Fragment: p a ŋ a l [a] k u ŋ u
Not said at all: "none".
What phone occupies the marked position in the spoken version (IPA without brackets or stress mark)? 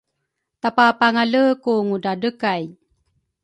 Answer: ə